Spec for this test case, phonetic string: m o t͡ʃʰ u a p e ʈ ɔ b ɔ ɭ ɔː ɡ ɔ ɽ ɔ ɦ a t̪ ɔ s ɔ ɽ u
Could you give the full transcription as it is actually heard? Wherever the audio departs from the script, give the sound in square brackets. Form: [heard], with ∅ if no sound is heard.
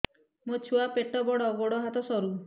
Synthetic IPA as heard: m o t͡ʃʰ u a p e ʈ ɔ b ɔ [ɽ] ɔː ɡ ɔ ɽ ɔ ɦ a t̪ ɔ s ɔ [ɾ] u